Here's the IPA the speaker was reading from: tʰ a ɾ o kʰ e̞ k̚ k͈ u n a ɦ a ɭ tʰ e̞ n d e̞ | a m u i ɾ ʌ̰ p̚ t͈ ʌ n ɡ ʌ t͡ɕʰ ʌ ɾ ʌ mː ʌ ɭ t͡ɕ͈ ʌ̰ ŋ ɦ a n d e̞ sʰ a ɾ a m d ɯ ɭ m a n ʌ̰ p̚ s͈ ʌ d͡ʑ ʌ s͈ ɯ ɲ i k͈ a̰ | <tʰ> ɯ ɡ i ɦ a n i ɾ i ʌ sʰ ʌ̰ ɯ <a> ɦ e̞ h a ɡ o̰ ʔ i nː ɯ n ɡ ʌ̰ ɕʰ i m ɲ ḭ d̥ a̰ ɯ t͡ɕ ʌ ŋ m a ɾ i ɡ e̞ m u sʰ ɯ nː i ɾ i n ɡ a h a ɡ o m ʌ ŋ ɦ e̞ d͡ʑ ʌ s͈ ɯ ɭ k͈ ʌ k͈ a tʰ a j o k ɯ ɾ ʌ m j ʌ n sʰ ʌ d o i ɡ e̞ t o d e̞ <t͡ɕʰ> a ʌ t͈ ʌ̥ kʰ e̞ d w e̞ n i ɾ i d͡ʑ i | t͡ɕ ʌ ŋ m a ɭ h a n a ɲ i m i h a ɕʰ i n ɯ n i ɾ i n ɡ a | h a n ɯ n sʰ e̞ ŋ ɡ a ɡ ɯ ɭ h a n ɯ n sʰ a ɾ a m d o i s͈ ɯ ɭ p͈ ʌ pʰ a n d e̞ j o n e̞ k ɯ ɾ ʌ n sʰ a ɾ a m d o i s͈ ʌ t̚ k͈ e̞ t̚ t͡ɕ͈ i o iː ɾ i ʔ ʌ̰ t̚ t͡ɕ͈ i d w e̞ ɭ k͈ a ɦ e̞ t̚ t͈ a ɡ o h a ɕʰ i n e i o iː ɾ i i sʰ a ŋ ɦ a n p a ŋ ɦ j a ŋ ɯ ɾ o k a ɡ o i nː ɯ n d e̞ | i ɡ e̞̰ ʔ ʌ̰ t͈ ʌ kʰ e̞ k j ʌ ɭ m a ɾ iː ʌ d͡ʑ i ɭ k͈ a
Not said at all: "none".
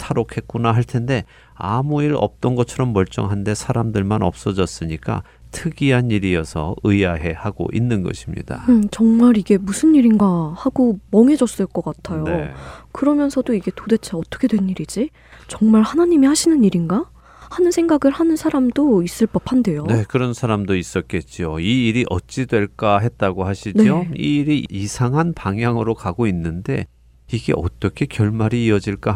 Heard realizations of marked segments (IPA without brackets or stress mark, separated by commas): tʰ, a, t͡ɕʰ